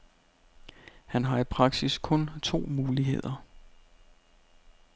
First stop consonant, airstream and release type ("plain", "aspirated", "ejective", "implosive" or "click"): aspirated